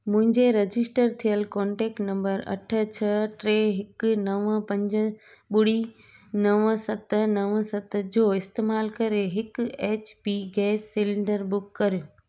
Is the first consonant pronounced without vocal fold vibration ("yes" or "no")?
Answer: no